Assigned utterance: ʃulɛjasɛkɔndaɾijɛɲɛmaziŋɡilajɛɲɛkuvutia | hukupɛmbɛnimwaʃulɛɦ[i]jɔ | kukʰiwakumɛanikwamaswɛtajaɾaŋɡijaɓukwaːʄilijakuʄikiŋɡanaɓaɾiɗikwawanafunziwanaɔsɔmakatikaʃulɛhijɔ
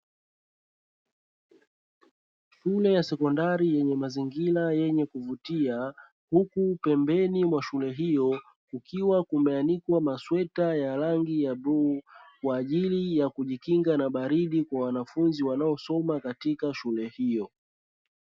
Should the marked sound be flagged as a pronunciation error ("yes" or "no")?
no